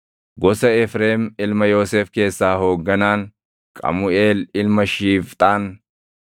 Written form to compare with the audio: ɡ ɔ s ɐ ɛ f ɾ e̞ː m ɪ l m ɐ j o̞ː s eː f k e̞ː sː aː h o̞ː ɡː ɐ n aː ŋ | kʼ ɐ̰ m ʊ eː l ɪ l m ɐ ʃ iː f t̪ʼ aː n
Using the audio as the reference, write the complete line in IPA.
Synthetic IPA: ɡ ɔ s ɐ ɛ f ɾ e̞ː m ɪ l m ɐ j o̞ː s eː f k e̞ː sː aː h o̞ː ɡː ɐ n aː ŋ | kʼ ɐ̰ m ʊ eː l ɪ l m ɐ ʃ iː f t̪ʼ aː n